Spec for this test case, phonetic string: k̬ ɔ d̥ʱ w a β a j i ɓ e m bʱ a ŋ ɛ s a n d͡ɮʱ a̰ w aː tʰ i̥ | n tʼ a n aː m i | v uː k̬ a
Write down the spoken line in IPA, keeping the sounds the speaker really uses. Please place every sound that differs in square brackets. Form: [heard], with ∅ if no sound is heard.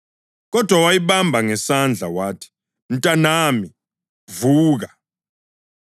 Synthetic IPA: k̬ ɔ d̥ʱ w a [w] a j i ɓ [a] m bʱ a ŋ ɛ s a n d͡ɮʱ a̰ w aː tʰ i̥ | n tʼ a n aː m i | v uː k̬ a